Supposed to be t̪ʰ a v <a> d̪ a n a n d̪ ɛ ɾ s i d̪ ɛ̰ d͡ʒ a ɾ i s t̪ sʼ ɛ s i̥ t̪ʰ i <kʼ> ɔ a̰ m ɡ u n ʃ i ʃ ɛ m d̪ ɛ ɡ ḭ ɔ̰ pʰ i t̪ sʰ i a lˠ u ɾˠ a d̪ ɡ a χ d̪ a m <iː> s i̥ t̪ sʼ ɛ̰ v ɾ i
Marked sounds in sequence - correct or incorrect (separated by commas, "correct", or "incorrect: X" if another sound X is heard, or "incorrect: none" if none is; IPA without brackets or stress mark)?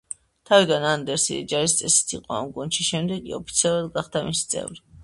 incorrect: i, incorrect: qʼ, incorrect: i